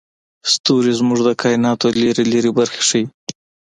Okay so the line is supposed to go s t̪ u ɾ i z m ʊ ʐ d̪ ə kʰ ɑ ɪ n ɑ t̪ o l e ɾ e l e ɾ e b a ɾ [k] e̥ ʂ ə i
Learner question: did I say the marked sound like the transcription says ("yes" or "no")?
no